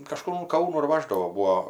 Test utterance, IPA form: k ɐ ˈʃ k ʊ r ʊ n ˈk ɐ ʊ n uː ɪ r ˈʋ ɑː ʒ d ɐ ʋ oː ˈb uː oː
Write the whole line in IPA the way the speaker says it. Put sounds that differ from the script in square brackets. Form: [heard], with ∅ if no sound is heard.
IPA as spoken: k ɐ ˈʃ k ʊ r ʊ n ˈk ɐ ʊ n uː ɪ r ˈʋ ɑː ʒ d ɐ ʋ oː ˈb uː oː

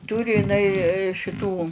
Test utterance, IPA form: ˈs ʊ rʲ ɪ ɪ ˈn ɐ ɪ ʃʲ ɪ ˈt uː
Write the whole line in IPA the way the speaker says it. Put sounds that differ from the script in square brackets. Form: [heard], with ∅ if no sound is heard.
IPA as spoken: [ˈt] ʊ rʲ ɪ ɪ ˈn ɐ ɪ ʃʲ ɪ ˈt uː

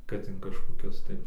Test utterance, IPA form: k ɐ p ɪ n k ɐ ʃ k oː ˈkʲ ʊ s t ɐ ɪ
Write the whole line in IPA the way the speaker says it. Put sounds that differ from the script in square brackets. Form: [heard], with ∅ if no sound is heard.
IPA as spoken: k ɐ [t] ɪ n k ɐ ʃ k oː ˈkʲ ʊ s t ɐ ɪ

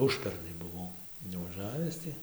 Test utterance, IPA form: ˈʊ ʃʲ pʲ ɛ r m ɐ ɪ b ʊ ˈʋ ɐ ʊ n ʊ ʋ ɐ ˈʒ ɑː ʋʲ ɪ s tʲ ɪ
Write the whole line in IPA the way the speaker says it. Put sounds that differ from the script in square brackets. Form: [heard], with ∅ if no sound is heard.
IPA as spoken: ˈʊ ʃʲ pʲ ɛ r [n] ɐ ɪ b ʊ ˈʋ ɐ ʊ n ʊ ʋ ɐ ˈʒ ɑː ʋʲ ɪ s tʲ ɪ

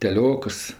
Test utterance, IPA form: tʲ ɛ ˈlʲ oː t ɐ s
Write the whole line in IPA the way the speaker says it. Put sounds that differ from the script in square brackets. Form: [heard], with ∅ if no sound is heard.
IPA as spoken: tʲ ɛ ˈlʲ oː [k] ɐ s

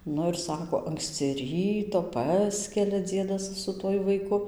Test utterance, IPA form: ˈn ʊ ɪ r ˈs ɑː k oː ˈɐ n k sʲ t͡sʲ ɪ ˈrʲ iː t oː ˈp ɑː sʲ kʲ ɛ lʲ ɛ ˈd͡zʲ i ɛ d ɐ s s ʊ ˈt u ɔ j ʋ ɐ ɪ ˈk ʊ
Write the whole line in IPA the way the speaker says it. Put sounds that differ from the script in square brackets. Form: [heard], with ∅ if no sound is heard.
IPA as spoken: ˈn ʊ ɪ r ˈs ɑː k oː ˈɐ [ŋ] k sʲ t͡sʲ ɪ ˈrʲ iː t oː ˈp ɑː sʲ kʲ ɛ lʲ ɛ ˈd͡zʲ i ɛ d ɐ s s ʊ ˈt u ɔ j ʋ ɐ ɪ ˈk ʊ

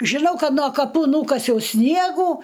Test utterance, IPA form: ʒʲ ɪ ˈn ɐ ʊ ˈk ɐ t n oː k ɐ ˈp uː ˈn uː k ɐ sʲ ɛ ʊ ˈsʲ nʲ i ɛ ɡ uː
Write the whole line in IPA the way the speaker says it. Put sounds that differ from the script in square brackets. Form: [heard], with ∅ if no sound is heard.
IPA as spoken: ʒʲ ɪ ˈn ɐ ʊ ˈk ɐ t n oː k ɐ ˈp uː ˈn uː k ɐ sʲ ɛ ʊ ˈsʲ nʲ i ɛ ɡ uː

